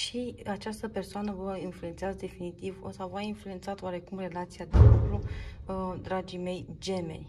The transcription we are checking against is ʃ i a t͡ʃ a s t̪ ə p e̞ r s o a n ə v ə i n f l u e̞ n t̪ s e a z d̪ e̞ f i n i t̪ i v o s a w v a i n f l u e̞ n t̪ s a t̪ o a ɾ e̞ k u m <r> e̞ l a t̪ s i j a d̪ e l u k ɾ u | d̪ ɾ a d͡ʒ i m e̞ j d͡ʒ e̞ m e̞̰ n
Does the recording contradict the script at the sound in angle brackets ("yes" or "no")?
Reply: no